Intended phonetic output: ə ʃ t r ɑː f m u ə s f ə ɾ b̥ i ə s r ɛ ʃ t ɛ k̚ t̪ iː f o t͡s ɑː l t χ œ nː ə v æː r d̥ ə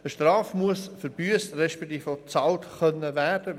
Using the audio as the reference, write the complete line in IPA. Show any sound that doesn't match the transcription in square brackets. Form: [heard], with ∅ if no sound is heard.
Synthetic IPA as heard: ə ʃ t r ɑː f m u ə s f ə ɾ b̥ [y] ə s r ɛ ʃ [p] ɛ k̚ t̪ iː f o t͡s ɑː l t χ œ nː ə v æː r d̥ ə